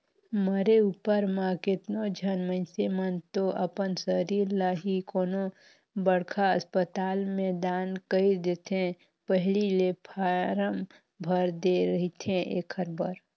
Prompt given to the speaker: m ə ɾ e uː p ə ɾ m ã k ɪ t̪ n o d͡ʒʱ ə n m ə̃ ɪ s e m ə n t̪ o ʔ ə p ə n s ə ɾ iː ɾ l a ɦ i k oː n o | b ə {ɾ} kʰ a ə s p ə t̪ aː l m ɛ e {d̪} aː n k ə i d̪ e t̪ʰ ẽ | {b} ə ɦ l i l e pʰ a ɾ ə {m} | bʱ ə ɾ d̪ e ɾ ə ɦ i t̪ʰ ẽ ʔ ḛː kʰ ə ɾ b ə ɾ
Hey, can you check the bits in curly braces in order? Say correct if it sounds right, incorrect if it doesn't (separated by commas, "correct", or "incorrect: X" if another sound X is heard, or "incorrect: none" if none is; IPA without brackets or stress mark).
incorrect: ɽ, correct, incorrect: p, correct